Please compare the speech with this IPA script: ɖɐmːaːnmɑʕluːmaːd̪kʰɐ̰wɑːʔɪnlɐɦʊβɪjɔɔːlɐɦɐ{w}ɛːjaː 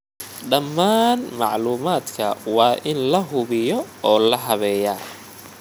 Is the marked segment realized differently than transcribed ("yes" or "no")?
yes